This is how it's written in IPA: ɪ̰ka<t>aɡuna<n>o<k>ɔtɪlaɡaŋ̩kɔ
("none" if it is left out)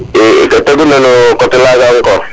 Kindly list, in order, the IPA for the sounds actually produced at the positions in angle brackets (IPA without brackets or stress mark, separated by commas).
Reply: t, n, k